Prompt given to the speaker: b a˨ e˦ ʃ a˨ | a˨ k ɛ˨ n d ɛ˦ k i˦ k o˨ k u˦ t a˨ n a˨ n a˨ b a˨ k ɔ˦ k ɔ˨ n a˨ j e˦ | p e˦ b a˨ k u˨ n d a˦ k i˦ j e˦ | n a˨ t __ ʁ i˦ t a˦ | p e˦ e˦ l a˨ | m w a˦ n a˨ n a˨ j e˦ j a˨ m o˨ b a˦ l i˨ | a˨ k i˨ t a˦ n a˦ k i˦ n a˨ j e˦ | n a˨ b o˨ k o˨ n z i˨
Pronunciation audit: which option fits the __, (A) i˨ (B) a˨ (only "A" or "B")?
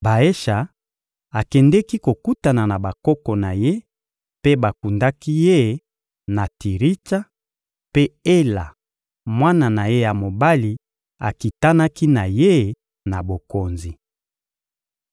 A